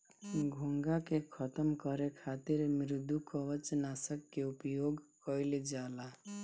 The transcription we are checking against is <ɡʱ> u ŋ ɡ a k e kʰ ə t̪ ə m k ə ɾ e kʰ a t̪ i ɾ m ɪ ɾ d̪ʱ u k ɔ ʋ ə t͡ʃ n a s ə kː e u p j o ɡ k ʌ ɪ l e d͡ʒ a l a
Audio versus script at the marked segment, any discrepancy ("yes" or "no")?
no